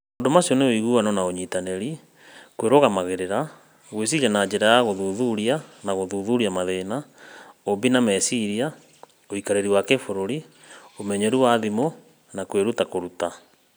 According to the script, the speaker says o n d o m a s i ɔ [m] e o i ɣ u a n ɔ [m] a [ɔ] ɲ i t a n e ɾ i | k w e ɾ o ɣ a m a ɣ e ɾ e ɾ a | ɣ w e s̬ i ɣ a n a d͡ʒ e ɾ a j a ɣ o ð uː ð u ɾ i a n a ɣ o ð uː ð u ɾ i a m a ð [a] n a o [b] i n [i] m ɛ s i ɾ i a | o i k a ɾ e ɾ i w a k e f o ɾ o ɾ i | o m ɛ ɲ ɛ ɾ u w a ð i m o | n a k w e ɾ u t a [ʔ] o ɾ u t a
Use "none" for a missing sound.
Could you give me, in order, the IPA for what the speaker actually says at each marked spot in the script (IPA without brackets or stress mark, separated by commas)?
n, n, o, e, b, a, k